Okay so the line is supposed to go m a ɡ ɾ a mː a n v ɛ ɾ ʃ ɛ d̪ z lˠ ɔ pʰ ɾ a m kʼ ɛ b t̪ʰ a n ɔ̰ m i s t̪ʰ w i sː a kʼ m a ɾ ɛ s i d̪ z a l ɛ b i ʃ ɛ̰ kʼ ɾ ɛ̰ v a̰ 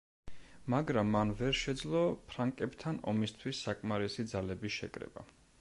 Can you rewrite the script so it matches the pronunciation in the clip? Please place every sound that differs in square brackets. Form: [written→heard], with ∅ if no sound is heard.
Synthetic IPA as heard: m a ɡ ɾ a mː a n v ɛ ɾ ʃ ɛ d̪ z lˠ ɔ pʰ ɾ a [m→ŋ] kʼ ɛ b t̪ʰ a n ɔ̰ m i s t̪ʰ w i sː a kʼ m a ɾ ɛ s i d̪ z a l ɛ b i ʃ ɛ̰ kʼ ɾ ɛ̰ [v→b] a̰